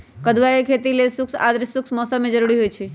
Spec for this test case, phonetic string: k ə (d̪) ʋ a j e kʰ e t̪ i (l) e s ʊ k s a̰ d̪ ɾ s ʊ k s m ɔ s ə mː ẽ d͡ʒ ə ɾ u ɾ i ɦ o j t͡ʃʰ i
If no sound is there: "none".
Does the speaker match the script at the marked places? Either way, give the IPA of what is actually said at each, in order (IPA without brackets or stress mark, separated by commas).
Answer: d̪, l